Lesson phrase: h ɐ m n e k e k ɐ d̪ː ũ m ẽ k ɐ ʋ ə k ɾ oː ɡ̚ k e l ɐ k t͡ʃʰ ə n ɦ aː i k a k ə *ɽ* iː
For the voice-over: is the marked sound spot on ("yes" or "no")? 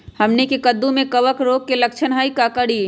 yes